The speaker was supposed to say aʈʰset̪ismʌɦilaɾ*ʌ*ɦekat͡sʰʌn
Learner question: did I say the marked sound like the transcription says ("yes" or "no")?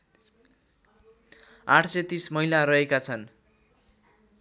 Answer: yes